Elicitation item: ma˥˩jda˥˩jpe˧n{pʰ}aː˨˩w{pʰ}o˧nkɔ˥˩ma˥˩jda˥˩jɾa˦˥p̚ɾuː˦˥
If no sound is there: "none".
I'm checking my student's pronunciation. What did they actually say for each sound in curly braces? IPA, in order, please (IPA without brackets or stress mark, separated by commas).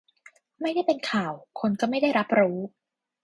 kʰ, kʰ